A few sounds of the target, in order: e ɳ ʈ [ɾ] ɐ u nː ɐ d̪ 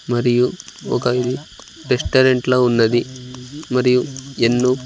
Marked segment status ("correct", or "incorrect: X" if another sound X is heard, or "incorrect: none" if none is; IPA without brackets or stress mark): incorrect: l